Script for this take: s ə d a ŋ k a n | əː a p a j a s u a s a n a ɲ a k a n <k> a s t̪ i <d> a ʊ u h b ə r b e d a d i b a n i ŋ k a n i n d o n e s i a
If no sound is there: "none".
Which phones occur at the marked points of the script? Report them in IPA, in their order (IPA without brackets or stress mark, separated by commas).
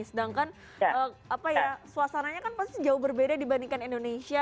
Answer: p, d͡ʒ